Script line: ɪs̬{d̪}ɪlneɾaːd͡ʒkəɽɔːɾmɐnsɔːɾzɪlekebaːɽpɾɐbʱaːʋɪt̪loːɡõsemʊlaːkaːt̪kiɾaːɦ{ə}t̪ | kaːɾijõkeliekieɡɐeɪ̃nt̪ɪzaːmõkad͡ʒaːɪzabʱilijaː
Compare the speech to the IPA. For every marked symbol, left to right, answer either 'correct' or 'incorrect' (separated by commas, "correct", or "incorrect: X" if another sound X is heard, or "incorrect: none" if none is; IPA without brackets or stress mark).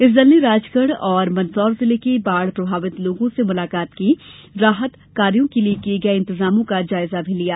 correct, correct